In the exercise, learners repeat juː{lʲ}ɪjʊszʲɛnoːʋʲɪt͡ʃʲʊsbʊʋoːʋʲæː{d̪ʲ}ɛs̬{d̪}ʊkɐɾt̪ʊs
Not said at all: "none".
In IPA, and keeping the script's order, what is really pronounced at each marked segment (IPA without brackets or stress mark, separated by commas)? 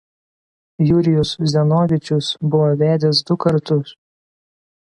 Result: ɾʲ, d̪ʲ, d̪